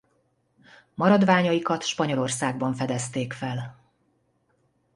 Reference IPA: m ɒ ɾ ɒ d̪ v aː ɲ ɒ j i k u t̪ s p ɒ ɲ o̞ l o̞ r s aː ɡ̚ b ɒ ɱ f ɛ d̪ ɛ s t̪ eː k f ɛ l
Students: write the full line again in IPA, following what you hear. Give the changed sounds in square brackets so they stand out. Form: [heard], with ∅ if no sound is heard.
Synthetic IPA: m ɒ ɾ ɒ d̪ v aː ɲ ɒ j i k [ɒ] t̪ [ʃ] p ɒ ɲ o̞ l o̞ r s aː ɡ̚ b ɒ ɱ f ɛ d̪ ɛ s t̪ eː k f ɛ l